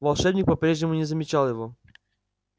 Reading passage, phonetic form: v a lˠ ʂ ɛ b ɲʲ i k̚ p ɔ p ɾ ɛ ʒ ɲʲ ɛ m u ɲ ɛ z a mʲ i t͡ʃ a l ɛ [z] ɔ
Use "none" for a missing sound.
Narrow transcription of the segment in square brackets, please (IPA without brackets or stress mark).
v